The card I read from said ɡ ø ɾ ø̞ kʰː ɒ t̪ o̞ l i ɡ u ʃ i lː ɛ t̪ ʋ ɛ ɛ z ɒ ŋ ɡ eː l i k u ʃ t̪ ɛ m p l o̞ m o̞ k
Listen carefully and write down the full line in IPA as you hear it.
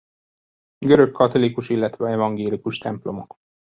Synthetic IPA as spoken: ɡ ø ɾ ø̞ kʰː ɒ t̪ o̞ l i k u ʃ i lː ɛ t̪ ʋ ɛ ɛ v ɒ ŋ ɡ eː l i k u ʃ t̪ ɛ m p l o̞ m o̞ k